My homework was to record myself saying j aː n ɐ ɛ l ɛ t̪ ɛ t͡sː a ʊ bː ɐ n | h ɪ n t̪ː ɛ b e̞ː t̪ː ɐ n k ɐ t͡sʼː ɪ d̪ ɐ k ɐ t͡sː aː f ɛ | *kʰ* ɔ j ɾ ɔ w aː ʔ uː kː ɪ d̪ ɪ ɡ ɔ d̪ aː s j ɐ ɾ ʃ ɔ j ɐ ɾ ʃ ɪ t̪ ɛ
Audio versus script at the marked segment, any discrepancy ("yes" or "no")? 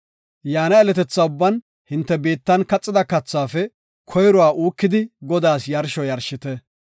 no